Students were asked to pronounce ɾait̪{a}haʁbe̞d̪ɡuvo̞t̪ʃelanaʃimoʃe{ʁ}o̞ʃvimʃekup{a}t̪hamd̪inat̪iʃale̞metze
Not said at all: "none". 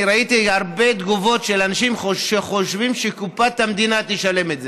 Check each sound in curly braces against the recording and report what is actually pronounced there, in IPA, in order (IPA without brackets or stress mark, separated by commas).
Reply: i, χ, a